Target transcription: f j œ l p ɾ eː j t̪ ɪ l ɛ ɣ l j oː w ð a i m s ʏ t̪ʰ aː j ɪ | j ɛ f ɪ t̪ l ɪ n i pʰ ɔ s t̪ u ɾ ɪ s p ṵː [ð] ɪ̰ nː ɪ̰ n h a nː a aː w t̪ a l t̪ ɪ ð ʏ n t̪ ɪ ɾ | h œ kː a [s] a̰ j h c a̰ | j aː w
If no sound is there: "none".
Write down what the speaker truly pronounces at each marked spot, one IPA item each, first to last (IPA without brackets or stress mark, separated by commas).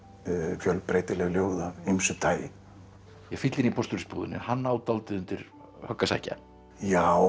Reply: ð, s